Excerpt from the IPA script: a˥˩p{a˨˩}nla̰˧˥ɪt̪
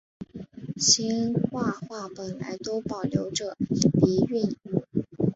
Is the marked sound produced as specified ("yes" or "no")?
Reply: no